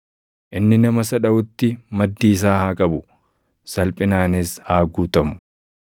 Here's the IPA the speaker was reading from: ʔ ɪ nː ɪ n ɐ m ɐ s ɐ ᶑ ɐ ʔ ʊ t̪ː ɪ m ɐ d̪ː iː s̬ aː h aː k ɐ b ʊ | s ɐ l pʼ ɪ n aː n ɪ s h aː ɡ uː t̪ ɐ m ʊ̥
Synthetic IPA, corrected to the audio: ʔ ɪ nː ɪ n ɐ m ɐ s ɐ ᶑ ɐ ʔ ʊ t̪ː ɪ m ɐ d̪ː iː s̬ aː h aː kʼ ɐ b ʊ | s ɐ l pʼ ɪ n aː n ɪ s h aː ɡ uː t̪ ɐ m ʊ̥